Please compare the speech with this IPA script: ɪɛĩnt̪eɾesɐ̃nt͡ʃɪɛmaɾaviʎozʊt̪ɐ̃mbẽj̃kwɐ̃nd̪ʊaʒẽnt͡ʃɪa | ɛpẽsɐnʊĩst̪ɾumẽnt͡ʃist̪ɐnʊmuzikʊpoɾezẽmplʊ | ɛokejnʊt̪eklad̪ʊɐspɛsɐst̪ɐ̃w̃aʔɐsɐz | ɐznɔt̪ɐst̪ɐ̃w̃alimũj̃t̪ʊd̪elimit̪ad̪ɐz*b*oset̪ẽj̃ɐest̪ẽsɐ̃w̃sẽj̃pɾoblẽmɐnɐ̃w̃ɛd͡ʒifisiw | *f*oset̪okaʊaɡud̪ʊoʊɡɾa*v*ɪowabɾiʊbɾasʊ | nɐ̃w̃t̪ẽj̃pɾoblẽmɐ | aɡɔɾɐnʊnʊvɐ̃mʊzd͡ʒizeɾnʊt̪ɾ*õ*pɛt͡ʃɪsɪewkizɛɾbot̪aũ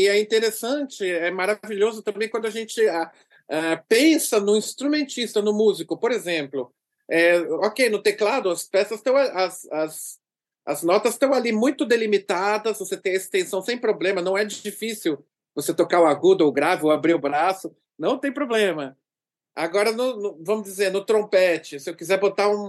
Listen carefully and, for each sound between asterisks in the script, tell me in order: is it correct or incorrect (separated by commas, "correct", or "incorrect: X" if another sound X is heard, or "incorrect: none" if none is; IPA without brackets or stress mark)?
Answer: incorrect: v, incorrect: v, correct, correct